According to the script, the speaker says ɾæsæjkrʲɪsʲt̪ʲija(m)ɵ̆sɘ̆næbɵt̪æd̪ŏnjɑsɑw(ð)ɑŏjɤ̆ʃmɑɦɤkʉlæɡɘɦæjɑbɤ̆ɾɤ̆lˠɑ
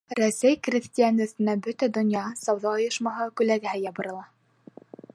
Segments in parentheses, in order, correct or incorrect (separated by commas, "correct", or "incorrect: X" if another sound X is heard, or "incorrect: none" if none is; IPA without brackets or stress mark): incorrect: n, correct